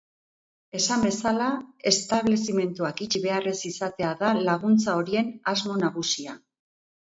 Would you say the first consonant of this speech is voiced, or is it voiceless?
voiceless